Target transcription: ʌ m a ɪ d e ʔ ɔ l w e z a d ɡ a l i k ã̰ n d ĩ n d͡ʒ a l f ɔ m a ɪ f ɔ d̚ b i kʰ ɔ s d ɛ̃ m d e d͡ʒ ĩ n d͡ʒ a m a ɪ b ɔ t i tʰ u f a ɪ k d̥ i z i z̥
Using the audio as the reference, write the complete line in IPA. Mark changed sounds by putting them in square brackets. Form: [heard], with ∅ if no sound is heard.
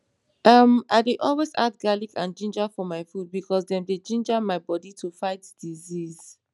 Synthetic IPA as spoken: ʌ m a ɪ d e ʔ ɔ l w e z a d ɡ a l i k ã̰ n [d͡ʒ] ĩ n d͡ʒ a [∅] f ɔ m a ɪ f [u] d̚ b i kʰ ɔ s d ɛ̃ m d e d͡ʒ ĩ n d͡ʒ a m a ɪ b ɔ [d] i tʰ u f a ɪ [t] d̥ i z i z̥